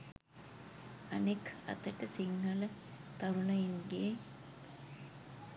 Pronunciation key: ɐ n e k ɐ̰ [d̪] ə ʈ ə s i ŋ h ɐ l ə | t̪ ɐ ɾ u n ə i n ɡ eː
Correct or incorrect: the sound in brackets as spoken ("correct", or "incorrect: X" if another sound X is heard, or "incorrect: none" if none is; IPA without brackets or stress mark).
incorrect: t̪